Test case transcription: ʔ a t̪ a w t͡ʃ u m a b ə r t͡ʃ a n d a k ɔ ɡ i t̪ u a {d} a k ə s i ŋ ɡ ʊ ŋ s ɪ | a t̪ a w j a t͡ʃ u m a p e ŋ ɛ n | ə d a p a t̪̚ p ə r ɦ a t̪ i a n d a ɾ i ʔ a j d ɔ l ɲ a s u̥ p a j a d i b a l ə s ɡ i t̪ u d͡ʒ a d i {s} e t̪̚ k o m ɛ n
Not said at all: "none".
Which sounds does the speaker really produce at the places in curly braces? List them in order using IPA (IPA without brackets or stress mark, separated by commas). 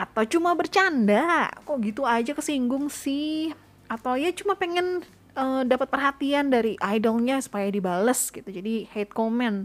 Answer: d͡ʒ, h